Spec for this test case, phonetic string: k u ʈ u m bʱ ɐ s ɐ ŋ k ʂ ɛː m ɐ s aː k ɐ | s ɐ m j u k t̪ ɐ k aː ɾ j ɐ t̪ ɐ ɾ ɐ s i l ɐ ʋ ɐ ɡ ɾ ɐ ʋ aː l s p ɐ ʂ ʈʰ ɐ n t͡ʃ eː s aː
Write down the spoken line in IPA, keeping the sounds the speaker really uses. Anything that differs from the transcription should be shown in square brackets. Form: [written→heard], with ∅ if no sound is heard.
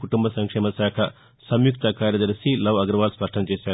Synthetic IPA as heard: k u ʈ u m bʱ ɐ s ɐ ŋ k ʂ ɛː m ɐ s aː [k→kʰ] ɐ | s ɐ m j u k t̪ ɐ k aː ɾ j ɐ [t̪→d̪] ɐ ɾ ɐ s i l ɐ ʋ ɐ ɡ ɾ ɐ ʋ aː l s p ɐ ʂ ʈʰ ɐ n t͡ʃ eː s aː